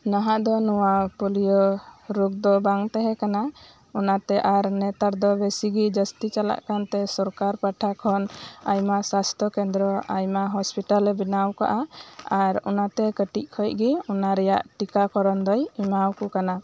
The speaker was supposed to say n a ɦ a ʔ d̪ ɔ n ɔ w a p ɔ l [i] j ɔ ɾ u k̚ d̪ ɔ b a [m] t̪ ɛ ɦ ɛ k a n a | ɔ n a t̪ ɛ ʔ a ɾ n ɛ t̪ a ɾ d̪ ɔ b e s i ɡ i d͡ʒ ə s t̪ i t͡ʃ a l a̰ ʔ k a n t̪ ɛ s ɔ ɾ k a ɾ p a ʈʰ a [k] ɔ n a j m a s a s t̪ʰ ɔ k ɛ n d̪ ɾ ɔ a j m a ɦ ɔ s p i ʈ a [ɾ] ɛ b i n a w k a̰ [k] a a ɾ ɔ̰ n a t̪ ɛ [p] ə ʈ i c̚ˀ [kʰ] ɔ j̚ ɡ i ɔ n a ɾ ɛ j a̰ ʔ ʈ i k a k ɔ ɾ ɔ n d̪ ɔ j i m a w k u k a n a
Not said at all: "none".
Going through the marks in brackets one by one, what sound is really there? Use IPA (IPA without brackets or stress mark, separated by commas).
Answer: i, ŋ, kʰ, l, ʔ, k, kʰ